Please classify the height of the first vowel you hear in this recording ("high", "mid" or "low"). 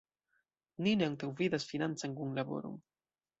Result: high